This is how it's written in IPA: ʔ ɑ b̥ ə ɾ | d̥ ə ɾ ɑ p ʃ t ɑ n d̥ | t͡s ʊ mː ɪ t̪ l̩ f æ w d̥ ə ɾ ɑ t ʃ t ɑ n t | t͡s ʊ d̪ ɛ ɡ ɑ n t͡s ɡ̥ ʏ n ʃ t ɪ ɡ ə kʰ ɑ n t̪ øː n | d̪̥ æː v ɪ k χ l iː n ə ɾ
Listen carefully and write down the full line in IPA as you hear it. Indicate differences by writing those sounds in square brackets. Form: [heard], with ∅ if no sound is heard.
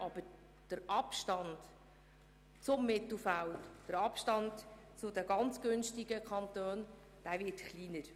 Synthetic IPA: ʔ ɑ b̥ ə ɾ | d̥ ə ɾ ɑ p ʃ t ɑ n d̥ | t͡s ʊ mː ɪ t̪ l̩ f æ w d̥ ə ɾ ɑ [p] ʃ t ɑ n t | t͡s ʊ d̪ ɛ ɡ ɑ n t͡s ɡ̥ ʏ n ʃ t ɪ ɡ ə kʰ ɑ n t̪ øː n | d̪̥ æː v ɪ [t] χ l iː n ə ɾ

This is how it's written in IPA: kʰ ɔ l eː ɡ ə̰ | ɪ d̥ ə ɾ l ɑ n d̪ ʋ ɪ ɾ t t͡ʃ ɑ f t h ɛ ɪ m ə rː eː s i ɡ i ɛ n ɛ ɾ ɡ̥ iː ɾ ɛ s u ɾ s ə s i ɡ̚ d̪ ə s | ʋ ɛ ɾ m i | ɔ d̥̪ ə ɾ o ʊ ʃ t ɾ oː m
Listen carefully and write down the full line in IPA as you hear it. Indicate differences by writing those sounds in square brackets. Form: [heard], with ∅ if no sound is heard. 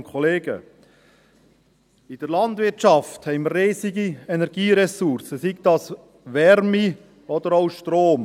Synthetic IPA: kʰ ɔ l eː ɡ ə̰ | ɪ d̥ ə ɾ l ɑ n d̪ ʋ ɪ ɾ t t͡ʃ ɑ f t h ɛ ɪ m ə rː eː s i ɡ i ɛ n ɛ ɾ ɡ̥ iː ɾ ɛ s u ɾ s ə s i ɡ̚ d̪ [ɑ] s | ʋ ɛ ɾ m i | ɔ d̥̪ ə ɾ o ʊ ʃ t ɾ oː m

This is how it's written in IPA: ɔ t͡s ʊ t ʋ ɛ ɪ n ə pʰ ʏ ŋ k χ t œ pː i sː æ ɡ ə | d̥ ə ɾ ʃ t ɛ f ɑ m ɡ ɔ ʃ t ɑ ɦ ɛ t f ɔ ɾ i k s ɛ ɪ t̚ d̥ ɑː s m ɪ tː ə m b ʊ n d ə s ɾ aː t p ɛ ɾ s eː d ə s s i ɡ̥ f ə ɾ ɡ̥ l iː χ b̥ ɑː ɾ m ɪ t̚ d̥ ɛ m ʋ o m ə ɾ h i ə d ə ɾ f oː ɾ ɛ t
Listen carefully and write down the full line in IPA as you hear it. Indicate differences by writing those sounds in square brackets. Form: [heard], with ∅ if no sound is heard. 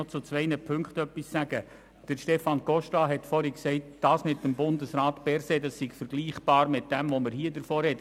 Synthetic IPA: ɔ t͡s ʊ [t͡s] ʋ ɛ ɪ n ə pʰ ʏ ŋ k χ t œ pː i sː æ ɡ ə | d̥ ə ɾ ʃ t ɛ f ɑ [n] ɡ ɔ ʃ t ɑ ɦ ɛ t f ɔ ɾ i k s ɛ ɪ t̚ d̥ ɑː s m ɪ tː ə m b ʊ n d ə s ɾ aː t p ɛ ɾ s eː d [ɑ] s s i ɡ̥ f ə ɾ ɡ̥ l iː χ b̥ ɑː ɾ m ɪ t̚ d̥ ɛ m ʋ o m ə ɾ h i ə d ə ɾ f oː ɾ ɛ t

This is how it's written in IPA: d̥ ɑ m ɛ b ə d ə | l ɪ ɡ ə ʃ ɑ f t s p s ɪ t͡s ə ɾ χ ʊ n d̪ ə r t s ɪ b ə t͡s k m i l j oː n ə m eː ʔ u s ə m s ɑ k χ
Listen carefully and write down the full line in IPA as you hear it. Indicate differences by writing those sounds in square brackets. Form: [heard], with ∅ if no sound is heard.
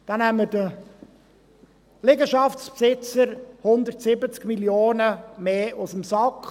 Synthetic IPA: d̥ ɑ [n] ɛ [m] ə d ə | l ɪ ɡ ə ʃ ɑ f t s p s ɪ t͡s ə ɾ [h] ʊ n d̪ ə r t s ɪ b ə t͡s k m i l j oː n ə m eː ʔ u s ə m s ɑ k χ

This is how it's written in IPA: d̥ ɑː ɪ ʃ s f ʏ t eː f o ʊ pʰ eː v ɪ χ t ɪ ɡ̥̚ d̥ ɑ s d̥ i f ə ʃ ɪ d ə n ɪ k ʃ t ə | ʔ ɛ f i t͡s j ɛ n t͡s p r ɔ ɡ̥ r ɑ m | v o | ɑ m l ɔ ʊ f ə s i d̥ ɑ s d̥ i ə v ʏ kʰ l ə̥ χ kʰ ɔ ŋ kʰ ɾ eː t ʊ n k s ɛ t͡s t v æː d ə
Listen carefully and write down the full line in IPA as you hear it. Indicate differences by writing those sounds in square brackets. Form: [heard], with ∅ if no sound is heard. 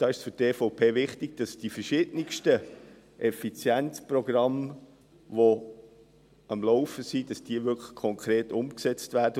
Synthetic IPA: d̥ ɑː ɪ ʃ s f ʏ t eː f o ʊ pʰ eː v ɪ χ t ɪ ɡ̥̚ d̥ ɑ s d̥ i f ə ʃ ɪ d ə n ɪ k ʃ t ə | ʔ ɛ f i t͡s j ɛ n t͡s p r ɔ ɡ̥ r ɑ m | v o | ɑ m l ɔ ʊ f ə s i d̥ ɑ s d̥ i ə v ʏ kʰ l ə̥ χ kʰ ɔ ŋ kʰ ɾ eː t ʊ [m] k s ɛ t͡s t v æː d ə

